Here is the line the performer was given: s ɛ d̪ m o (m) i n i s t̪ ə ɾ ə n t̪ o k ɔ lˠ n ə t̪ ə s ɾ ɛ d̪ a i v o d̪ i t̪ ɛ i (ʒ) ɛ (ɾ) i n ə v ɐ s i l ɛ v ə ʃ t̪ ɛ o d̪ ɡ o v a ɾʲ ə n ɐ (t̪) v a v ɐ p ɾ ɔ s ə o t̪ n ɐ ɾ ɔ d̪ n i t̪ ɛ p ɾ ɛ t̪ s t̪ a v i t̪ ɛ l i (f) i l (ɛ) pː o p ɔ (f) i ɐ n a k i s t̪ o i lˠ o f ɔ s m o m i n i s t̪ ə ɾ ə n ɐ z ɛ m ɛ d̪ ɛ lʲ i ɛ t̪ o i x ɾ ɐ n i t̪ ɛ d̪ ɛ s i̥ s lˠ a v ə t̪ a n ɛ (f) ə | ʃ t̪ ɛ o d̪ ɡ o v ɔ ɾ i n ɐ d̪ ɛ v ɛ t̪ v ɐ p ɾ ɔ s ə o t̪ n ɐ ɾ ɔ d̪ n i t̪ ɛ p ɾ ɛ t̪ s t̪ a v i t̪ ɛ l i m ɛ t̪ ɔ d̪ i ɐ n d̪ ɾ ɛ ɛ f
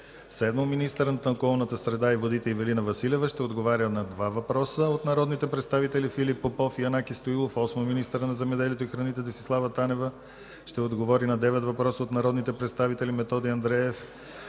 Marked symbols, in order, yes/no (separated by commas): yes, no, no, no, yes, no, yes, no